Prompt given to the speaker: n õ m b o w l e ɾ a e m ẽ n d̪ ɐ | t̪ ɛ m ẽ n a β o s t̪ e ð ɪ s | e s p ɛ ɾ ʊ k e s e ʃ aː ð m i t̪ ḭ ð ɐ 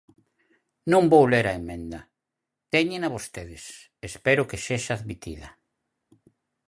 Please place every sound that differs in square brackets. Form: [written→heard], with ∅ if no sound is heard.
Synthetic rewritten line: n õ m b o w l e ɾ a e m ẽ n d̪ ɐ | t̪ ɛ [m→ɲ] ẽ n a β o s t̪ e ð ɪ s | e s p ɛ ɾ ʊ k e s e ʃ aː ð m i t̪ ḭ ð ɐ